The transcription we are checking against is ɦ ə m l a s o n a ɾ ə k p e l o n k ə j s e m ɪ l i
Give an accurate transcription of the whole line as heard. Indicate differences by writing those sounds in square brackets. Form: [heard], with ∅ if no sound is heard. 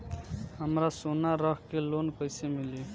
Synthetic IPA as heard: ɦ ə m [ɾ] a s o n a ɾ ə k [k] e l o n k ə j s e m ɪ l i